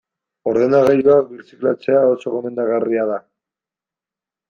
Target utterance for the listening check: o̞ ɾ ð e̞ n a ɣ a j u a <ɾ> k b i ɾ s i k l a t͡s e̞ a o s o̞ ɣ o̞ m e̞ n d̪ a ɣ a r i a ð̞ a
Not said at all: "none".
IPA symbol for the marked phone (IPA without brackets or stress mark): none